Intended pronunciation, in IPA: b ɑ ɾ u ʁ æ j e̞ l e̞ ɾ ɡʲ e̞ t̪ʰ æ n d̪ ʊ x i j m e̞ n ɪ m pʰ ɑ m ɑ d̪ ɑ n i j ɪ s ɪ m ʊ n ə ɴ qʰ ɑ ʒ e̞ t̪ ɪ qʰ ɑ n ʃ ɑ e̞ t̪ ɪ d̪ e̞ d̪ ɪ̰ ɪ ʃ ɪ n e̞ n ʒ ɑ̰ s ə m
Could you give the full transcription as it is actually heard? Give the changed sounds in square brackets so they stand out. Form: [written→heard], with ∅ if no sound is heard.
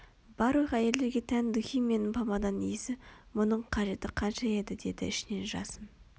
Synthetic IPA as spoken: b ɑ ɾ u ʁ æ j e̞ l e̞ ɾ ɡʲ e̞ t̪ʰ æ n d̪ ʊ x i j m e̞ n ɪ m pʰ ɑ m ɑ d̪ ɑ n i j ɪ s ɪ m ʊ n ə ɴ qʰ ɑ ʒ e̞ t̪ ɪ qʰ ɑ n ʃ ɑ e̞ [t̪→d̪] ɪ d̪ e̞ d̪ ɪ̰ ɪ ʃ ɪ n e̞ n ʒ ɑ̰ s ə m